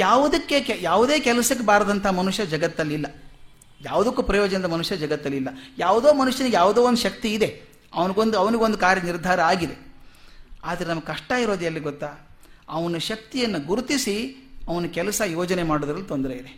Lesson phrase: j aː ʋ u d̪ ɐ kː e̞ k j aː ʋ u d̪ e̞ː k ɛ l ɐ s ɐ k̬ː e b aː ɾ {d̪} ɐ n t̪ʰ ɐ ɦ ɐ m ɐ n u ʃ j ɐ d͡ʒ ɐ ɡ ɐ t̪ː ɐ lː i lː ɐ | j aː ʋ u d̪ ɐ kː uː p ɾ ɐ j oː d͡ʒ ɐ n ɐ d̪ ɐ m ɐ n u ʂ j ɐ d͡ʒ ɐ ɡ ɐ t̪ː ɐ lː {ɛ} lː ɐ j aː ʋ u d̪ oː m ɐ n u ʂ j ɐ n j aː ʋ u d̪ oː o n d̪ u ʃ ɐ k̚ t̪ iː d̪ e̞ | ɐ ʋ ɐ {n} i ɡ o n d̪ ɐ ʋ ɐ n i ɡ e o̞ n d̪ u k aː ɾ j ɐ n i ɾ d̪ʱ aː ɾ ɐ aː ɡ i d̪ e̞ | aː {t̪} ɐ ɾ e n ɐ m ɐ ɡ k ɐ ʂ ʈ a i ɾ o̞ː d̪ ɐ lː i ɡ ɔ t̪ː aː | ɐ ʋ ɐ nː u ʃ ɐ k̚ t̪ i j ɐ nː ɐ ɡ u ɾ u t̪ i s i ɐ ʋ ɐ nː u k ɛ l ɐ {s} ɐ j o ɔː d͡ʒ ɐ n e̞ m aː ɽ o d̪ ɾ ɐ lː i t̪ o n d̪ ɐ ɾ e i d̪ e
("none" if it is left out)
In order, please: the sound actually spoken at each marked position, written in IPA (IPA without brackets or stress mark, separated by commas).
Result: d̪, i, n, d̪, s